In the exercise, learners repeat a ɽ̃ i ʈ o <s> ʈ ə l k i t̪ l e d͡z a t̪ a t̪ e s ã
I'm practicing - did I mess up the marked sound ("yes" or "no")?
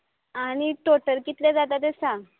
yes